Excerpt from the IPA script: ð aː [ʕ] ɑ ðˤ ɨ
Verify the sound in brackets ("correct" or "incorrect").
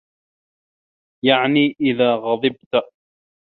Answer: incorrect